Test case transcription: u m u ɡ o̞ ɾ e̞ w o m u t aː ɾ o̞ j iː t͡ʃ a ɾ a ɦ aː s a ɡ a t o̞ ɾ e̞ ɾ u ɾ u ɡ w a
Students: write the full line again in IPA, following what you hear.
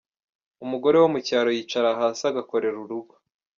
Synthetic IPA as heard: u m u ɡ o̞ ɾ e̞ w o m u c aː ɾ o̞ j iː t͡ʃ a ɾ a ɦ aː s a ɡ a k o̞ ɾ e̞ ɾ u ɾ u ɡ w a

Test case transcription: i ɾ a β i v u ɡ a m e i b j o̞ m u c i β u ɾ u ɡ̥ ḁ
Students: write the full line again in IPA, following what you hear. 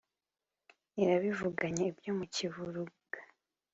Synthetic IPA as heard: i ɾ a β i v u ɡ a ɲ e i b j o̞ m u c i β u ɾ u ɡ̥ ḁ

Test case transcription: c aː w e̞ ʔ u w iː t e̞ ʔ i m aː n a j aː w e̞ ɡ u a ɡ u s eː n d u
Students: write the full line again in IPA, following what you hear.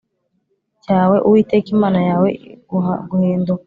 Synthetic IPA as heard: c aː w e̞ ʔ u w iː t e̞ k i m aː n a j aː w e̞ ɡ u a ɡ u h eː n d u

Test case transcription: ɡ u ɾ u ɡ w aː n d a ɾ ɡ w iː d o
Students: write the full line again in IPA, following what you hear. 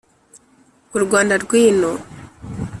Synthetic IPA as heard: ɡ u ɾ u ɡ w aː n d a ɾ ɡ w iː n o

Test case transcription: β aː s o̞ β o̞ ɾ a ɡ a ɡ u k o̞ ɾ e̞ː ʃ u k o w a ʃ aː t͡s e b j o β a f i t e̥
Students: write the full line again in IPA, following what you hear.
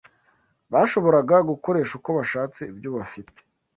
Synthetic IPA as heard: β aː ʃ o̞ β o̞ ɾ a ɡ a ɡ u k o̞ ɾ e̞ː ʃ u k o β a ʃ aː t͡s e b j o β a f i t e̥

